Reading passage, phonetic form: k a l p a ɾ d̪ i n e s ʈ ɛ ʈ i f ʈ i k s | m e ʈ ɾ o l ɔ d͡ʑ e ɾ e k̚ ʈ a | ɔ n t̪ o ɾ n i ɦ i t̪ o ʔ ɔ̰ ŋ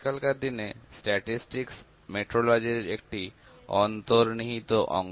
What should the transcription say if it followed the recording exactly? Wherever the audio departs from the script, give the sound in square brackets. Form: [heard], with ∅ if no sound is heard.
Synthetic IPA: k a l [k] a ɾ d̪ i n e s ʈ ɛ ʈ i [s] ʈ i k s | m e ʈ ɾ o l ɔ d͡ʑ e ɾ e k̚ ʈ [i] | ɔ n t̪ o ɾ n i ɦ i t̪ o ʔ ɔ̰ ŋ